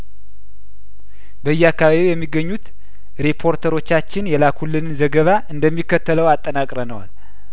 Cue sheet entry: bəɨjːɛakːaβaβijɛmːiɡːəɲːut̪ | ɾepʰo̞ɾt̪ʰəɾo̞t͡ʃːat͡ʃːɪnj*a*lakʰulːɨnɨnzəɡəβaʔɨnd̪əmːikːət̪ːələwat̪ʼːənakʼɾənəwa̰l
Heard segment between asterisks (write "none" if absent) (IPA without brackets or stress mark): ɛ